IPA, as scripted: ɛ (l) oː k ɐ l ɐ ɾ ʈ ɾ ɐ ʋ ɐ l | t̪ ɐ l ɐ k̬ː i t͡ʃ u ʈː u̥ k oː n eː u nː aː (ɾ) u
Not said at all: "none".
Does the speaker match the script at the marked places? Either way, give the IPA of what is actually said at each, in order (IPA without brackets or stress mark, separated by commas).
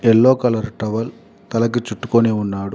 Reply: lː, ɽ